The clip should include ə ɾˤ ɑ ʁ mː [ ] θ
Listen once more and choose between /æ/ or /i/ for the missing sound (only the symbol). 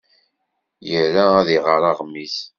i